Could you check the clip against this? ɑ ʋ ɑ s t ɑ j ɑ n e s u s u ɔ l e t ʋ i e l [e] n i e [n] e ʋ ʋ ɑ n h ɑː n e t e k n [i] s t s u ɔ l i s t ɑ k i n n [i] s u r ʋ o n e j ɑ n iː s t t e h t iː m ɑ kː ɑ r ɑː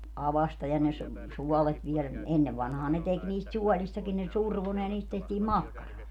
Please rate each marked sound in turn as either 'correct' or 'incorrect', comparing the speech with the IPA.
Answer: incorrect: æ, incorrect: nː, incorrect: iː, incorrect: e

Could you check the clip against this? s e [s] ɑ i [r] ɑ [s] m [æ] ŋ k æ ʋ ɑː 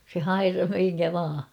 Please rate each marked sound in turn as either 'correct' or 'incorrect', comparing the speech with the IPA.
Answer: incorrect: h, correct, incorrect: h, incorrect: i

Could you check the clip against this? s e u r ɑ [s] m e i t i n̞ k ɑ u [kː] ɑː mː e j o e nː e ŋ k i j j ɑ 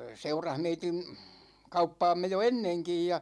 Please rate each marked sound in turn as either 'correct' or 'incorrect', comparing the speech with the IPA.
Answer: incorrect: h, incorrect: pː

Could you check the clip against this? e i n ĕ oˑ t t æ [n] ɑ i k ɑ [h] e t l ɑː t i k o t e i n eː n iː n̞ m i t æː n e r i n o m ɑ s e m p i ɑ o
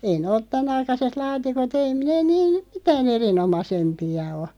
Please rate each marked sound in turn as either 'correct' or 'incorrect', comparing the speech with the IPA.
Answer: correct, incorrect: s

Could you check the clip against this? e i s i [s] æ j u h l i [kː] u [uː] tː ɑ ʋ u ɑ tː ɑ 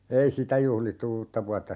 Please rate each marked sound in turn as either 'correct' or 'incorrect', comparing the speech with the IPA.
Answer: incorrect: t, incorrect: tː, correct

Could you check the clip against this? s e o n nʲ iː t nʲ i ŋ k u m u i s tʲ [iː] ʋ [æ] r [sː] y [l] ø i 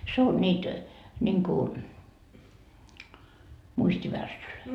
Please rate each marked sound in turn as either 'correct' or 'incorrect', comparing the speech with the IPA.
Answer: incorrect: i, correct, correct, correct

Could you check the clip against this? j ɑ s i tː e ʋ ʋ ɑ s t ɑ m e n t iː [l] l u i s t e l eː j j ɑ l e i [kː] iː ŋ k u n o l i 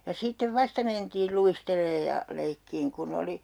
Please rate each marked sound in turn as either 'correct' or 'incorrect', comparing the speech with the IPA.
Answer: correct, correct

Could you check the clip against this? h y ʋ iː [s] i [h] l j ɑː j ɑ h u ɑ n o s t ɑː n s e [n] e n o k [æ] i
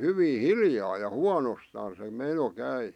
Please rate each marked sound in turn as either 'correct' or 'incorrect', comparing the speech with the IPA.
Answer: incorrect: h, incorrect: none, incorrect: m, correct

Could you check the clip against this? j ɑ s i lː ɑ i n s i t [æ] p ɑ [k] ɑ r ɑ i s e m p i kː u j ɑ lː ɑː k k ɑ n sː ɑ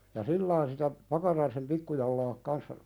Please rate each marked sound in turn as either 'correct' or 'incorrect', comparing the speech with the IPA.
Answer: correct, correct

